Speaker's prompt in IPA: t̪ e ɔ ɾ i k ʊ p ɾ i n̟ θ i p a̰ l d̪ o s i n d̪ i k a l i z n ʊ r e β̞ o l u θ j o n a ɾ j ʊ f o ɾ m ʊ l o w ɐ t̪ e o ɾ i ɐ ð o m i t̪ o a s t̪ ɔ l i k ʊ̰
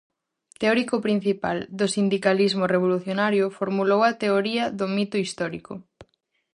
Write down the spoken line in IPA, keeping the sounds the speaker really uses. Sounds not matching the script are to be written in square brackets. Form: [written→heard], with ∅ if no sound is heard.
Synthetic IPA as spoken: t̪ e ɔ ɾ i k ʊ p ɾ i n̟ θ i p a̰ l d̪ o s i n d̪ i k a l i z [n→m] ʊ r e β̞ o l u θ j o n a ɾ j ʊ f o ɾ m [ʊ→u] l o w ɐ t̪ e o ɾ i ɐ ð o m i t̪ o [a→i] s t̪ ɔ [l→ɾ] i k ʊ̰